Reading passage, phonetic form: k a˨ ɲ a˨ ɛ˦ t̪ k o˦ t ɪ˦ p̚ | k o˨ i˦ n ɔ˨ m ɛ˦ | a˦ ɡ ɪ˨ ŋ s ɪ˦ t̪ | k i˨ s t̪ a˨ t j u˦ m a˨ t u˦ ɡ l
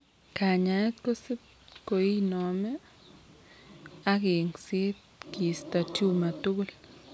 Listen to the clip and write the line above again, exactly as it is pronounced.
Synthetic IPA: k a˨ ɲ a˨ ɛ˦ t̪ k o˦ s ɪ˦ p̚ | k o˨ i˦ n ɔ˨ m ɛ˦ | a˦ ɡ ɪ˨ ŋ s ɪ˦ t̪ | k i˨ s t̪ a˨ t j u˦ m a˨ t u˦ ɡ l